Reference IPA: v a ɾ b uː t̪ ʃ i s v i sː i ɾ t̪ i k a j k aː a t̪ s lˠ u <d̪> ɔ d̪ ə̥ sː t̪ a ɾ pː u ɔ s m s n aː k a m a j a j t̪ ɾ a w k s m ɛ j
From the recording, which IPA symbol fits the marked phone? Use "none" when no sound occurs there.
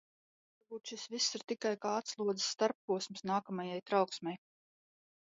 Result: none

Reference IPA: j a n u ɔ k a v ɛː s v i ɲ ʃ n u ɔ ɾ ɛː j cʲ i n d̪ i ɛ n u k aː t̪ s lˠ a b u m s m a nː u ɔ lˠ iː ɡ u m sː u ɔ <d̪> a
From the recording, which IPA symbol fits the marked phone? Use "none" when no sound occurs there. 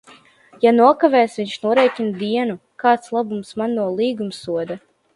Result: d̪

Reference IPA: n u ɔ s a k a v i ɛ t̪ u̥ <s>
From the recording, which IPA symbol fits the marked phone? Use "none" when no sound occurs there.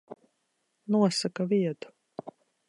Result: none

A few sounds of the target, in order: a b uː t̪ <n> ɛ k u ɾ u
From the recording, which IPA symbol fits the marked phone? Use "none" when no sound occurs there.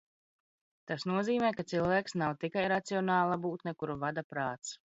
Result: n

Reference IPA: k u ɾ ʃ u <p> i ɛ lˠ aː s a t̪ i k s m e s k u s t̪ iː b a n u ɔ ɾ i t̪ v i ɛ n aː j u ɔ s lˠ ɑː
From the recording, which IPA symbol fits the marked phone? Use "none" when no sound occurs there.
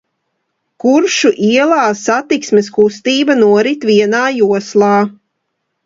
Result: ʔ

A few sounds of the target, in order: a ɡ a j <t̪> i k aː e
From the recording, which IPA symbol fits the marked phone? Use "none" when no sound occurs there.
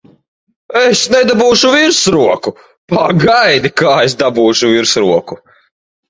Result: d̪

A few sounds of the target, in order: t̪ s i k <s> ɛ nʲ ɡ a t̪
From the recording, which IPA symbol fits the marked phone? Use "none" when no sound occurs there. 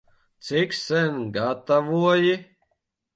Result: s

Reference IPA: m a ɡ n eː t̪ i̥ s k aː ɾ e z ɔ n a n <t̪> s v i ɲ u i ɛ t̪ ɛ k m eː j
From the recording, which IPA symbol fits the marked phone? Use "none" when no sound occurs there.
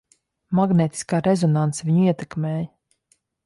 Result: t̪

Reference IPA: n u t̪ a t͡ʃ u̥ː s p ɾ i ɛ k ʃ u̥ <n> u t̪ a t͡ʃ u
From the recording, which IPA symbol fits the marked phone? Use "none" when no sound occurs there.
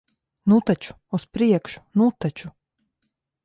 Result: n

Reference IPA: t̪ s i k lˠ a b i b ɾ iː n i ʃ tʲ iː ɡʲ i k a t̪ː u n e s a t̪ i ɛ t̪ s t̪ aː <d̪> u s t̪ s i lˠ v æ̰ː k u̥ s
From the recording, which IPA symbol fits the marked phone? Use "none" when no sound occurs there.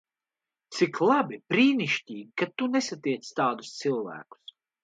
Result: d̪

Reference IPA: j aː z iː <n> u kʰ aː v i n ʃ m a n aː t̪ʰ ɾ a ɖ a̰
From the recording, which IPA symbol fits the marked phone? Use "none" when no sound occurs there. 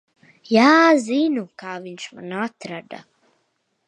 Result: n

